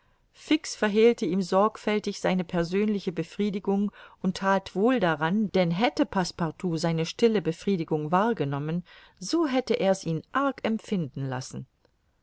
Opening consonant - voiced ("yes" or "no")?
no